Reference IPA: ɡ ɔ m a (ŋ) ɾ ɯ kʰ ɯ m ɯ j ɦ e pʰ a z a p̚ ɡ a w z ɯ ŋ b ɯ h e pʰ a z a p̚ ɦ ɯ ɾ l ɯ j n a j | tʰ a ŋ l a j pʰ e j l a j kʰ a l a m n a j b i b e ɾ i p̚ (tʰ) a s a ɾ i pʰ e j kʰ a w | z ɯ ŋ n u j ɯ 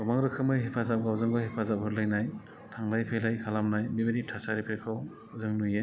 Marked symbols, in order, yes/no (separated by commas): yes, yes